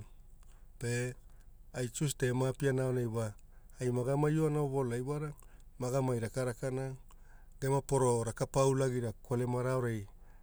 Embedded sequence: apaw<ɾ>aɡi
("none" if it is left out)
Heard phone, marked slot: l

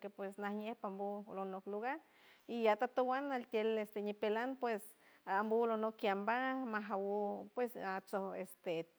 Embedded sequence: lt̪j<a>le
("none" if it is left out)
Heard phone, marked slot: e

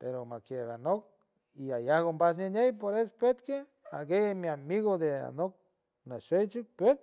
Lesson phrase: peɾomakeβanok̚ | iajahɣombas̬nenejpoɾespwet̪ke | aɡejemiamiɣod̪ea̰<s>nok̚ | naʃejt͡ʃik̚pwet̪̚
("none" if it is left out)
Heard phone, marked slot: none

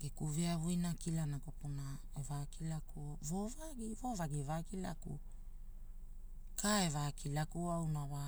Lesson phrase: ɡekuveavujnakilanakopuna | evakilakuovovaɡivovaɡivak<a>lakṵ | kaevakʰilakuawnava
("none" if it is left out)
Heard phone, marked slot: i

